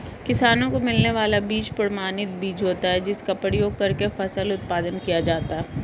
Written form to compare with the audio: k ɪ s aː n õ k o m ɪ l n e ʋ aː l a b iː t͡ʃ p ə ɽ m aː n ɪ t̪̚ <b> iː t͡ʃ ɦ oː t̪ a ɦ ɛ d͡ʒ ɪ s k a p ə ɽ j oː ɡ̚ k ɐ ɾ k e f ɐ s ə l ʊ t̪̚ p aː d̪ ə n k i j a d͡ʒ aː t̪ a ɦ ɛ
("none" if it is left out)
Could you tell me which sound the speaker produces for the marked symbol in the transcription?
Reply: b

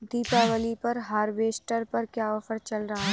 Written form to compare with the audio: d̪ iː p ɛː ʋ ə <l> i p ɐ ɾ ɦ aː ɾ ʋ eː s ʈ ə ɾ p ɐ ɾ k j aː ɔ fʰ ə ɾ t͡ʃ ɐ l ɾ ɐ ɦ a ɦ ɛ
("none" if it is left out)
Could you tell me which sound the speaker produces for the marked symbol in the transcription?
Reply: l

